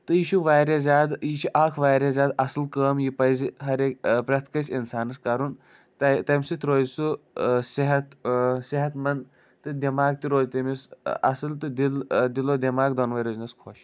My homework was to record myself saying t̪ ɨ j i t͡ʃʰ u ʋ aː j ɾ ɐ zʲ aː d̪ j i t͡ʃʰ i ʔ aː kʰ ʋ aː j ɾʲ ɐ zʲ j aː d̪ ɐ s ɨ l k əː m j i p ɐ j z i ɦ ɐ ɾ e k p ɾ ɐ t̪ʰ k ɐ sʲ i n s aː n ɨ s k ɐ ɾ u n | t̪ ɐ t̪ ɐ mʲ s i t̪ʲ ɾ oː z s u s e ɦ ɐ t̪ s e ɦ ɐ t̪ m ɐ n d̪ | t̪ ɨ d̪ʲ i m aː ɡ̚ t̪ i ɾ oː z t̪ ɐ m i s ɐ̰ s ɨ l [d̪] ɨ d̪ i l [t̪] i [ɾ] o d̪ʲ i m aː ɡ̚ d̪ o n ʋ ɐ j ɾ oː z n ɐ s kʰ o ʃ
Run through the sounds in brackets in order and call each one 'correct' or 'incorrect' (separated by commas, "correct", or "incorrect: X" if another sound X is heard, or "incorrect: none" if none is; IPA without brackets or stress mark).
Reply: incorrect: t̪, incorrect: d̪, incorrect: l